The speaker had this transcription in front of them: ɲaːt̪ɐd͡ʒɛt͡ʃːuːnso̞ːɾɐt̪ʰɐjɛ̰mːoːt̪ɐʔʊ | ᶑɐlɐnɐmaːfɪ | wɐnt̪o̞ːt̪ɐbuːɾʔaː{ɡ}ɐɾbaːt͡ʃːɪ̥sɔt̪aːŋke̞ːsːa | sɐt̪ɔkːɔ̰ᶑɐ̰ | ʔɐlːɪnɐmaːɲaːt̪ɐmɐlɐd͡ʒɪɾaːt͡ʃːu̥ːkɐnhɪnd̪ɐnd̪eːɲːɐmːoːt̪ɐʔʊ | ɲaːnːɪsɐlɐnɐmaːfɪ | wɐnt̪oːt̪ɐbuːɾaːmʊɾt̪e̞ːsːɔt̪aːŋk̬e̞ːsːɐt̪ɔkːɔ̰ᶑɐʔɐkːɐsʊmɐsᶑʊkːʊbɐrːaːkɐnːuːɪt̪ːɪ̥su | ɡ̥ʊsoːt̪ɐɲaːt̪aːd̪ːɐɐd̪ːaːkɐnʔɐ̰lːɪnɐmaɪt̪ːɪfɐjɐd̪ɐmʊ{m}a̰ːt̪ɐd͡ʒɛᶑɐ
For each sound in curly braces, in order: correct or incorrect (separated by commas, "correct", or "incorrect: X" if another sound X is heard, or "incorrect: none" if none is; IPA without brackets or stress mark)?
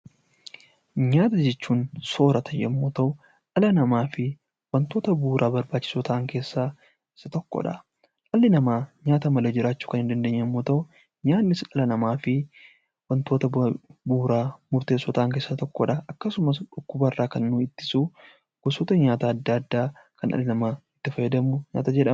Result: incorrect: b, incorrect: ɲ